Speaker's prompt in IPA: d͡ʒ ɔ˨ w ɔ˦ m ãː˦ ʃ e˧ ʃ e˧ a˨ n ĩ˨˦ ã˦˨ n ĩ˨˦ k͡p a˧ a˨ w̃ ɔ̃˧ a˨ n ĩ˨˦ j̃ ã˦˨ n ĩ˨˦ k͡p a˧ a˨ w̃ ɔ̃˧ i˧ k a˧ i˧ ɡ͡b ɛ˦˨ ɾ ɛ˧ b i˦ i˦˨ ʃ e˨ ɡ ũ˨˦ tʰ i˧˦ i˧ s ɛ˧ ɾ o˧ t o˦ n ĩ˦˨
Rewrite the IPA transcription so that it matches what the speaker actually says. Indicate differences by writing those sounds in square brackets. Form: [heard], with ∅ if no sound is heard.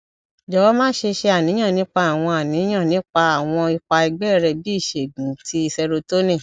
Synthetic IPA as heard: d͡ʒ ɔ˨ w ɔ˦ m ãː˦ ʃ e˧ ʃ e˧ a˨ n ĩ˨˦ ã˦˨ n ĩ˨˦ k͡p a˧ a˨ w̃ ɔ̃˧ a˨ n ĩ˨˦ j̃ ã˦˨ n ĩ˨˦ k͡p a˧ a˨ w̃ ɔ̃˧ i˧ [k͡p] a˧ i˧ ɡ͡b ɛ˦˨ ɾ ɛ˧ b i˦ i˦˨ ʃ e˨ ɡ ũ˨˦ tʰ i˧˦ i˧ s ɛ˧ ɾ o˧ t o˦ n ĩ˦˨